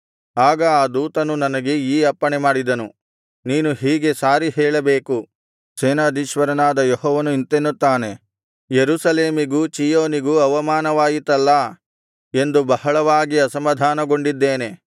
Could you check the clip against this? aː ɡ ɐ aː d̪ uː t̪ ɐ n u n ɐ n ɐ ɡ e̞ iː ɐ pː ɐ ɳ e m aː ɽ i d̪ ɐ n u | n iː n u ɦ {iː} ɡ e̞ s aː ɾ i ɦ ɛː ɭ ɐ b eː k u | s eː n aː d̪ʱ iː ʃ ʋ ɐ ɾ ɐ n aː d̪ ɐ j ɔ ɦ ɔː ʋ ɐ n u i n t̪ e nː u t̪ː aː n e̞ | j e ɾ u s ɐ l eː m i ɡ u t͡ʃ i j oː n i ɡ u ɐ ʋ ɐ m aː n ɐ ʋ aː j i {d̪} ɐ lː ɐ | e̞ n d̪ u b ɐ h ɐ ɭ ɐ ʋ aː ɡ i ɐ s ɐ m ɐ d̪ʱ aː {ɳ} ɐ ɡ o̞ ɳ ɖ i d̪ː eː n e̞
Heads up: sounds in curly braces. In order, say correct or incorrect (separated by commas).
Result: correct, incorrect, incorrect